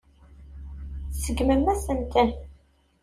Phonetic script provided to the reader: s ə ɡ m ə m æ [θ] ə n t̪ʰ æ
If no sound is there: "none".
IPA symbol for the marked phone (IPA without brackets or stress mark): s